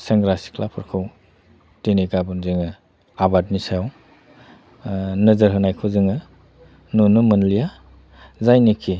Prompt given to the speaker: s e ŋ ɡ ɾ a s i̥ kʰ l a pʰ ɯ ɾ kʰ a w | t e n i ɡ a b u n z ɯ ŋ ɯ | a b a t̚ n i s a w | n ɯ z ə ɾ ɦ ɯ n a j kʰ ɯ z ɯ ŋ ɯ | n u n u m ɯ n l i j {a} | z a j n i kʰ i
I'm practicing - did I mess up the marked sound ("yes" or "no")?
no